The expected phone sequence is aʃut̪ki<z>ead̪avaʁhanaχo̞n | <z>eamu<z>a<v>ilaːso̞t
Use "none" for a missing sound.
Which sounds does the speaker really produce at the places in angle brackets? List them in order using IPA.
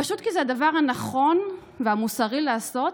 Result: z, v, s, ʁ

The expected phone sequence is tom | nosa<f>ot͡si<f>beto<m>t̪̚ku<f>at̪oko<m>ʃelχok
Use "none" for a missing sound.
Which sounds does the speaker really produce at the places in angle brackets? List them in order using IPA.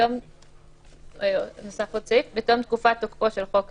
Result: f, f, m, f, none

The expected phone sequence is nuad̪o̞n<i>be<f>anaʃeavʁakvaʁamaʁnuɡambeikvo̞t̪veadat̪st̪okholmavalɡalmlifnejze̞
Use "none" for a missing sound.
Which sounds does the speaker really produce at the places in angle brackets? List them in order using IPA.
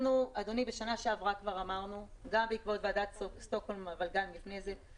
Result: i, ʃ

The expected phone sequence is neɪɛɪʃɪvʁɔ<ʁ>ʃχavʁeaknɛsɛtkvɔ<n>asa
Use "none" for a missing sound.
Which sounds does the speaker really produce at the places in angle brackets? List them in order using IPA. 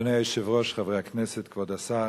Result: none, d

